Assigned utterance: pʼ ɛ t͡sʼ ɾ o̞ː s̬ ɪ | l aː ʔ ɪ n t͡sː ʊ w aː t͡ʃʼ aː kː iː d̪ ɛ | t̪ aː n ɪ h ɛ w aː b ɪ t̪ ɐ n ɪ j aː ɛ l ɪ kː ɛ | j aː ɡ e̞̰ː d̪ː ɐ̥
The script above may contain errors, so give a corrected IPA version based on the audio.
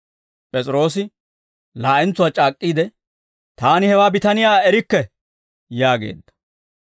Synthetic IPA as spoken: pʼ ɛ t͡sʼ ɾ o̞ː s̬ ɪ | l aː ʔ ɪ n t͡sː ʊ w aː t͡ʃʼ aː kʼː iː d̪ ɛ | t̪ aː n ɪ h ɛ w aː b ɪ t̪ ɐ n ɪ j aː ɛ ɾ ɪ kː ɛ | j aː ɡ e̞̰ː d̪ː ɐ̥